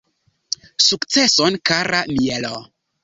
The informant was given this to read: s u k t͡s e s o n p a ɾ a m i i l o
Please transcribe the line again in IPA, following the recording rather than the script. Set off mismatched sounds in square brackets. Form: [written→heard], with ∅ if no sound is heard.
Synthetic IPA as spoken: s u k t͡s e s o n [p→k] a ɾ a m i [i→e] l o